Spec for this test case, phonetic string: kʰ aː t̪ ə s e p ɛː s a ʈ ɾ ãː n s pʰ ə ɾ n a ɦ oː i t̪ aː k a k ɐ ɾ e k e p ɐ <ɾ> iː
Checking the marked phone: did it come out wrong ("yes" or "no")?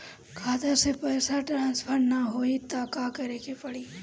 yes